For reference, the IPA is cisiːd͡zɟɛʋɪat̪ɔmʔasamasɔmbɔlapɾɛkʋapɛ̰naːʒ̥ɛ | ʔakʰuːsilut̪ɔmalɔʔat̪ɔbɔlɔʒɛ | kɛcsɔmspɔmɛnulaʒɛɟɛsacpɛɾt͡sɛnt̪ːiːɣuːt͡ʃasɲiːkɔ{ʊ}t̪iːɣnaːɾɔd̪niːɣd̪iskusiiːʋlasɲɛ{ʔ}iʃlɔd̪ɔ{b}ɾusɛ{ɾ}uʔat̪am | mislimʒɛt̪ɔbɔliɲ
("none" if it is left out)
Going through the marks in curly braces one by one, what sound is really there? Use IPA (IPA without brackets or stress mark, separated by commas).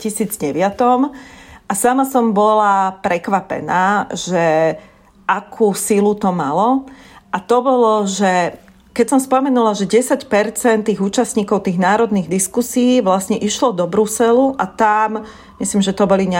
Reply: ʊ, ʔ, b, l